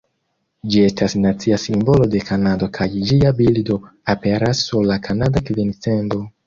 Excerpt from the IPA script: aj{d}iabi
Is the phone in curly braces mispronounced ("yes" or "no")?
yes